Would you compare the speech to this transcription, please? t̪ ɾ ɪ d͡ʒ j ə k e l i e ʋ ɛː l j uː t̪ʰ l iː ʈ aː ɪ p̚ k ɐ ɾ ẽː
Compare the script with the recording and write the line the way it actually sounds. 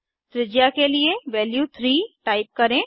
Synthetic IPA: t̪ ɾ ɪ d͡ʒ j a k e l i e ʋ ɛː l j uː t̪ʰ ɾ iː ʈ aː ɪ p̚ k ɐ ɾ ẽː